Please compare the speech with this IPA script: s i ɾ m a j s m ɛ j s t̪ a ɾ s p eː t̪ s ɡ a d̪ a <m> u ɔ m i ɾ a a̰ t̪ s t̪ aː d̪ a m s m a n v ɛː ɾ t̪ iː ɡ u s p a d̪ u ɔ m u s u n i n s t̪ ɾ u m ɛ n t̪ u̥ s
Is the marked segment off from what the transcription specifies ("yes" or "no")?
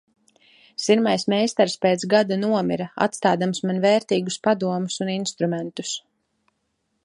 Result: yes